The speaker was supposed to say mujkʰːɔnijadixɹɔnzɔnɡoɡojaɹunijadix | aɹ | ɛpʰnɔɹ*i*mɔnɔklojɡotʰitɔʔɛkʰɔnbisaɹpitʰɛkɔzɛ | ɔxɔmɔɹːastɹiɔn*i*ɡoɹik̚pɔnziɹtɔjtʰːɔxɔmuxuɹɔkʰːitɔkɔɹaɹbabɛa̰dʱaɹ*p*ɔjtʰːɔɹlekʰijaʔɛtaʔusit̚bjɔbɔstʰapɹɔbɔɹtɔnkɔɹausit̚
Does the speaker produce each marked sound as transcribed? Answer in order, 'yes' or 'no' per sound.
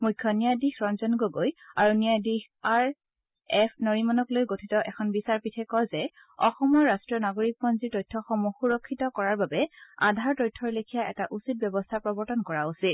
yes, no, no

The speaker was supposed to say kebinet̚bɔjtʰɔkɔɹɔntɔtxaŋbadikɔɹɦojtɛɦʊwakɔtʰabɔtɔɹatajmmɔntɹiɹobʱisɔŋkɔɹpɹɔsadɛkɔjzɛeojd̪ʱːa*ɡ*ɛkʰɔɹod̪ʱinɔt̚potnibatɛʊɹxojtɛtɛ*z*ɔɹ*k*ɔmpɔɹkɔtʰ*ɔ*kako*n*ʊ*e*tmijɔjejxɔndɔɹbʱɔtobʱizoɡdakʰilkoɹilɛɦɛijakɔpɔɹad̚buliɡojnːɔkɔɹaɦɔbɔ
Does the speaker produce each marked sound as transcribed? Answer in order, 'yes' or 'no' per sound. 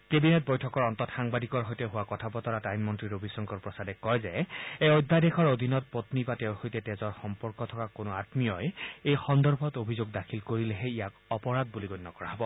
no, yes, no, yes, yes, no

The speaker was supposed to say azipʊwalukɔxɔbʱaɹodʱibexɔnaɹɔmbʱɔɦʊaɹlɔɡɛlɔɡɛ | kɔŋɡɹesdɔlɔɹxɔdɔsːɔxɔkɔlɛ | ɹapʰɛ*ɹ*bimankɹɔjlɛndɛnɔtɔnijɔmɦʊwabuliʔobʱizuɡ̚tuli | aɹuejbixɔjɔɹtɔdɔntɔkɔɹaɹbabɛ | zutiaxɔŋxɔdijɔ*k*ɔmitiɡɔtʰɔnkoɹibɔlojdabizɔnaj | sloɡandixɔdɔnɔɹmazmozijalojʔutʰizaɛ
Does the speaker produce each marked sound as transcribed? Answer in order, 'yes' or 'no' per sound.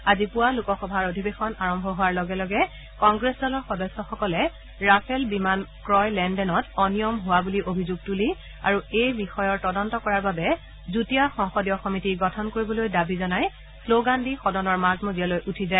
no, no

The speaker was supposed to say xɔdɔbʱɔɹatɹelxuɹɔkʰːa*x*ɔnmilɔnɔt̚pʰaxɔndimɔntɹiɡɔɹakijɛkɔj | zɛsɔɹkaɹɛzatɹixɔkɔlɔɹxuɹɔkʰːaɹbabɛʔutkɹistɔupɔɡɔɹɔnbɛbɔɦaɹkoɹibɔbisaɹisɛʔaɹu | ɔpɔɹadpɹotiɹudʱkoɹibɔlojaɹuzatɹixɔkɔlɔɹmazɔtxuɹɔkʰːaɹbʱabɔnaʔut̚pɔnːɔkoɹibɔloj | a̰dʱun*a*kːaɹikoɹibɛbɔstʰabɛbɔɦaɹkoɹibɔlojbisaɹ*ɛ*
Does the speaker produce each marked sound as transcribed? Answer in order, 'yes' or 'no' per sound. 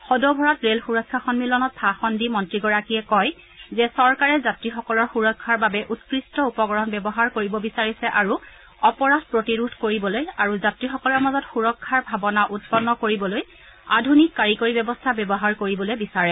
yes, no, yes

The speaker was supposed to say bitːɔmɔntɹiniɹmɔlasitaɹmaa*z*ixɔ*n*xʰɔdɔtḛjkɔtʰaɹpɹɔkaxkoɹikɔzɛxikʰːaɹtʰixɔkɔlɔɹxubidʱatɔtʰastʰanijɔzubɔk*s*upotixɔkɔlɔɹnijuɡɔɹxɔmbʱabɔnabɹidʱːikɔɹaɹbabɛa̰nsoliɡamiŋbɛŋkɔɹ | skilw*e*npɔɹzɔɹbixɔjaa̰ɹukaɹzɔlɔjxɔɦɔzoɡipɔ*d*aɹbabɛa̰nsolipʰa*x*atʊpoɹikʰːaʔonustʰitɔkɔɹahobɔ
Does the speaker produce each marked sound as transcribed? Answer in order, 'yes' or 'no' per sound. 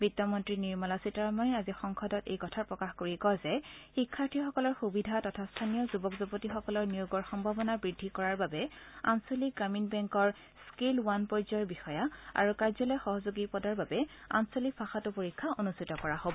yes, no, no, no, yes, yes

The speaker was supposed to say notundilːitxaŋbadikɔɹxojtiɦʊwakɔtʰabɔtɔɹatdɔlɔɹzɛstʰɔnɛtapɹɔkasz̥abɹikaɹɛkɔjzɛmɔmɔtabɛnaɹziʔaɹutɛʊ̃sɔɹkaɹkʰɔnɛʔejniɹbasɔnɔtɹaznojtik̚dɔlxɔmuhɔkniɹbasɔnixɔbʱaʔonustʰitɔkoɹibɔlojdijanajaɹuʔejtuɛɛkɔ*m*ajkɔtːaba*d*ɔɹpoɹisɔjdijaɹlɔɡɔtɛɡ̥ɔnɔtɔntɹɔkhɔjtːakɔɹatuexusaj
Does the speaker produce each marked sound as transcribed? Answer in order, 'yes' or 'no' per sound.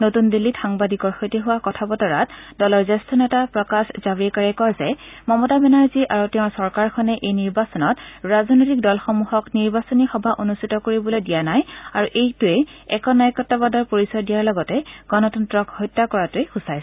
no, yes

